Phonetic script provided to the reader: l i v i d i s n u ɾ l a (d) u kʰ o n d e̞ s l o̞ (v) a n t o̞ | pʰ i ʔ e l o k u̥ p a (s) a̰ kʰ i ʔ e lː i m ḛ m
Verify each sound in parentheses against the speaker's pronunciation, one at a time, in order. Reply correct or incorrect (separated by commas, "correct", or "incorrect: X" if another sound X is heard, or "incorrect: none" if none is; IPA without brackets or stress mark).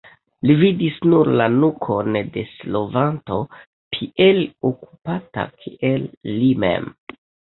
incorrect: n, correct, incorrect: t